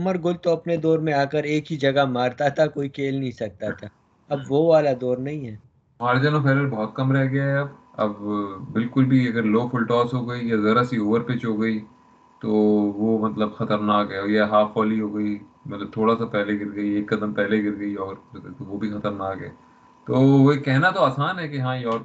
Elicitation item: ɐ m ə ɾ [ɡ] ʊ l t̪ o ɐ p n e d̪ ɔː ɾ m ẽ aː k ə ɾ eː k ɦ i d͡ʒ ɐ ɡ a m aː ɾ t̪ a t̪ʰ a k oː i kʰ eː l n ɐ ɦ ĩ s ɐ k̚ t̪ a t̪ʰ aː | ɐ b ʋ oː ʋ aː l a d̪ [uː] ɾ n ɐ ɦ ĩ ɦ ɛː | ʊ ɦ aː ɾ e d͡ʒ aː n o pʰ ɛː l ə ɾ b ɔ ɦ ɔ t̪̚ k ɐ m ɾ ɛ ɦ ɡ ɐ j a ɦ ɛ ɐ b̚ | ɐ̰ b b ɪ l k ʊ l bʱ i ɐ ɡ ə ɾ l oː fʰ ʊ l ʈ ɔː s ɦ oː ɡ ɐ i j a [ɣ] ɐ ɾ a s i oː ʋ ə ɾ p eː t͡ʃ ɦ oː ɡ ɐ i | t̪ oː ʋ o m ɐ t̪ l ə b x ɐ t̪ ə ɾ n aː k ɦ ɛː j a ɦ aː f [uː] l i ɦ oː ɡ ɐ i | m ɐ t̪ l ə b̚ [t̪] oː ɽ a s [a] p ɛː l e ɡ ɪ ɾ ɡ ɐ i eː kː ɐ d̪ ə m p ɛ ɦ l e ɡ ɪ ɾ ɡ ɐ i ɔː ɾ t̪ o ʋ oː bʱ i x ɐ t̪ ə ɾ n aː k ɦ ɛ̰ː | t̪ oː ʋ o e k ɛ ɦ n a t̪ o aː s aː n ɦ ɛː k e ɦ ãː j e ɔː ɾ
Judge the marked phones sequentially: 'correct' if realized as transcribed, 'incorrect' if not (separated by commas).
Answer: correct, incorrect, incorrect, incorrect, incorrect, correct